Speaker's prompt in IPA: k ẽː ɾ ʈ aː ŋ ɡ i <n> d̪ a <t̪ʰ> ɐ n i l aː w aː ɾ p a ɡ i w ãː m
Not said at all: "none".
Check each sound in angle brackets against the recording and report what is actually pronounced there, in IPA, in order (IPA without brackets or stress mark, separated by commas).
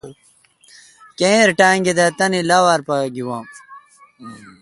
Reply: none, t̪